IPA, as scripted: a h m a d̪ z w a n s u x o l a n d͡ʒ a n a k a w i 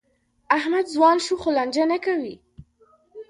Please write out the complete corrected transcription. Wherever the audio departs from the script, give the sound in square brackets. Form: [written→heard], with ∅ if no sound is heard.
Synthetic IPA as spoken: a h m a d̪ z w [a→ɑ] n [s→ʃ] u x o l a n d͡ʒ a n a k a w i